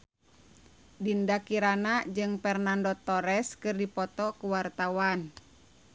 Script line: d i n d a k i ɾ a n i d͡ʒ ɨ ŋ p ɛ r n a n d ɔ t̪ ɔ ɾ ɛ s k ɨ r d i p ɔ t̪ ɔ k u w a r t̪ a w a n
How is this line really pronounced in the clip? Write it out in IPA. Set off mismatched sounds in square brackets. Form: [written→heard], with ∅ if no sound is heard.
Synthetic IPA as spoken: d i n d a k i ɾ a n [i→a] d͡ʒ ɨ ŋ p ɛ r n a n d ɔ t̪ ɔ ɾ ɛ s k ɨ r d i p ɔ t̪ ɔ k u w a r t̪ a w a n